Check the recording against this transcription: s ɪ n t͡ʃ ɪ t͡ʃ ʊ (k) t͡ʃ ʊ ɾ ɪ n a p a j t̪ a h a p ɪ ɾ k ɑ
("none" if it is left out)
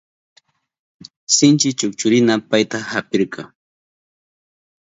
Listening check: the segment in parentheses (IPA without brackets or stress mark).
k